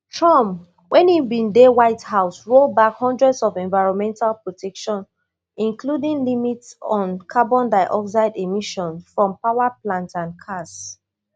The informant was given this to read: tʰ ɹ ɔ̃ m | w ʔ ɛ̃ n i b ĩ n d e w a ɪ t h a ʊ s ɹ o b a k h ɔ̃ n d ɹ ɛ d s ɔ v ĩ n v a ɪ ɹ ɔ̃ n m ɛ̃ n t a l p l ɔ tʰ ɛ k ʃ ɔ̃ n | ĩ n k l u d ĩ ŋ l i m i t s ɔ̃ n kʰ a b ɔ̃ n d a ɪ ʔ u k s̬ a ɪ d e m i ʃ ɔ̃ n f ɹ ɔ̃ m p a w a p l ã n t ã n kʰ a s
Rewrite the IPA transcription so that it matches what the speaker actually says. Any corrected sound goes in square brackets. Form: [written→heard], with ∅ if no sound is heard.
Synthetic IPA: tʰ ɹ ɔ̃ m | w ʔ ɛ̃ n i b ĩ n d e w a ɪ t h a ʊ s ɹ o b a k h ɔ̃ n d ɹ ɛ d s ɔ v [ĩ→ɛ̃] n v a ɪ ɹ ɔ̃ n m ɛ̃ n t a l p [l→ɹ] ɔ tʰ ɛ k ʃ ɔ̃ n | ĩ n k l u d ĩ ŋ l i m i t s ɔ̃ n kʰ a b ɔ̃ n d a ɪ ʔ [u→ɔ] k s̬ a ɪ d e m i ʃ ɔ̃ n f ɹ ɔ̃ m p a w a p l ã n t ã n kʰ a s